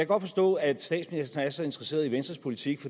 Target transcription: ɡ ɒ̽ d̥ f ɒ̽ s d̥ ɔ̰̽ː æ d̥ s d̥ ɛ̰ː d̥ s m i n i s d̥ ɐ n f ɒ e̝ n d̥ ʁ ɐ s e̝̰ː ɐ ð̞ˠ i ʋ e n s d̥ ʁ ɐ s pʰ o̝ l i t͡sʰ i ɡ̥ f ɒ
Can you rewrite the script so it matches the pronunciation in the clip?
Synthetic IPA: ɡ ɒ̽ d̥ f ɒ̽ s d̥ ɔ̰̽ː æ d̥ s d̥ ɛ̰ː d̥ s m i n i s d̥ ɐ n s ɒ e̝ n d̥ ʁ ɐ s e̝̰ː ɐ ð̞ˠ i ʋ e n s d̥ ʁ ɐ s pʰ o̝ l i t͡sʰ i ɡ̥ f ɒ